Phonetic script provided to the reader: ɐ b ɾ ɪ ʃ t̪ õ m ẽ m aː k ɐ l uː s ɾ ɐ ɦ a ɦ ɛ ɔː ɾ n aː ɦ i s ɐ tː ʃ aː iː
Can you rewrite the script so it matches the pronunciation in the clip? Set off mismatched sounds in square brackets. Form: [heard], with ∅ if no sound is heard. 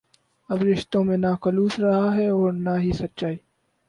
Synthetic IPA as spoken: ɐ b ɾ ɪ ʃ t̪ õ m ẽ [n] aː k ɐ l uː s ɾ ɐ ɦ a ɦ ɛ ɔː ɾ n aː ɦ i s ɐ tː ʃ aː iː